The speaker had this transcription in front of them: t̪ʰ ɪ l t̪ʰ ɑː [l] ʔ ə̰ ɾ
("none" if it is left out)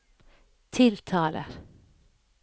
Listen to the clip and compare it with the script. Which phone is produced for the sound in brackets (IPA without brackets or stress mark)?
l